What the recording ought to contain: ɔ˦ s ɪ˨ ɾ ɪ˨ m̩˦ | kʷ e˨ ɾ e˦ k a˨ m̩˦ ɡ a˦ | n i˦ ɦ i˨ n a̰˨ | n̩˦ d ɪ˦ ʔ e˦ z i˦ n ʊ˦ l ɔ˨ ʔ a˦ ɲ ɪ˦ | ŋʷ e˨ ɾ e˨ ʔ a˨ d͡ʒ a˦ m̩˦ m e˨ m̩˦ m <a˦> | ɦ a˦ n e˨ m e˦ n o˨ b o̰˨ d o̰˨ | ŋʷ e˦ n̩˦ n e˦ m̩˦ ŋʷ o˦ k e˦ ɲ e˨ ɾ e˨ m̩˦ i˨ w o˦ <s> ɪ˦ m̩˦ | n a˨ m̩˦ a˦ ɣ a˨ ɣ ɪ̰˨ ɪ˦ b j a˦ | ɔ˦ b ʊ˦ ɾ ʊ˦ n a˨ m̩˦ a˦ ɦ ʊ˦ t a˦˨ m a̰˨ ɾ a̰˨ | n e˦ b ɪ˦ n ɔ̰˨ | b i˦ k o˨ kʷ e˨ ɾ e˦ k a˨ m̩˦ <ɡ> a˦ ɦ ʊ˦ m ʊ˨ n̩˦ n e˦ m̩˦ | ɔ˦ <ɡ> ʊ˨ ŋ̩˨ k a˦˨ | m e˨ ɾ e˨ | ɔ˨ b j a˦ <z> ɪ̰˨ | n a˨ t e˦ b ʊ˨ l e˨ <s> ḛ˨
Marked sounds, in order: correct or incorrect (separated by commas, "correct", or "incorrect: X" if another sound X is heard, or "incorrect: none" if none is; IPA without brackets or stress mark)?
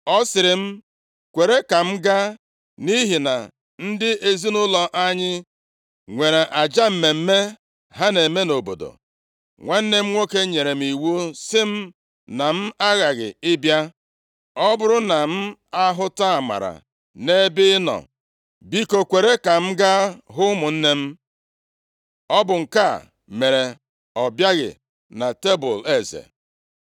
incorrect: e˦, correct, correct, incorrect: b, incorrect: ɣ, incorrect: z